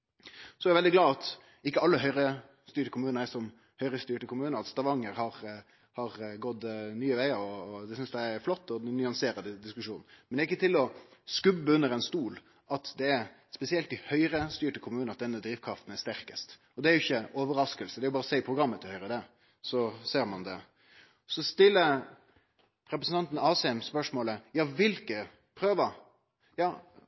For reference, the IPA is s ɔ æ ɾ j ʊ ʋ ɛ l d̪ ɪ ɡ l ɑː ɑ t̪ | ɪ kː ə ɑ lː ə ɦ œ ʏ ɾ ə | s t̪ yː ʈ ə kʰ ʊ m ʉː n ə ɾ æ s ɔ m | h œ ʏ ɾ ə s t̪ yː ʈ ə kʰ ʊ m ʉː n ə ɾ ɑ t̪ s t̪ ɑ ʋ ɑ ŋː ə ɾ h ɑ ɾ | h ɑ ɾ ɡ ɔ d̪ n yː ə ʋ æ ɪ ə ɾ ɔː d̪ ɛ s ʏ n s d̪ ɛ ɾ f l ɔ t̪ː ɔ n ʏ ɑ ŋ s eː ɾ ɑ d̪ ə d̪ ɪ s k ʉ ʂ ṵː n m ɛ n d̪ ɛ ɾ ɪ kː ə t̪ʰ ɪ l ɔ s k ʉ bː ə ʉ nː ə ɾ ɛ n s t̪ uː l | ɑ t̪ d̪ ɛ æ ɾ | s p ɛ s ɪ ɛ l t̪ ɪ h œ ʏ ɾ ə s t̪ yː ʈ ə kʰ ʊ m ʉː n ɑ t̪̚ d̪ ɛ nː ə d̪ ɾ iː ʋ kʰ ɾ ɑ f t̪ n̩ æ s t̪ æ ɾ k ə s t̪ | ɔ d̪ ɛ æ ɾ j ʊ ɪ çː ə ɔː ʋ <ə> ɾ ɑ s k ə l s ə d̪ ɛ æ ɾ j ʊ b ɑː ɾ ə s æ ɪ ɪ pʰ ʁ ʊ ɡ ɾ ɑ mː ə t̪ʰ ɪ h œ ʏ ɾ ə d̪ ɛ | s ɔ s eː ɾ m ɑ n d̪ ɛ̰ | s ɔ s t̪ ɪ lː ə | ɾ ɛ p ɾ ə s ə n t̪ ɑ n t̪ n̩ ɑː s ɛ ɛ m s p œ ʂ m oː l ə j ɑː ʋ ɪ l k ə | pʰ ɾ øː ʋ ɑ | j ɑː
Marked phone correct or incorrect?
correct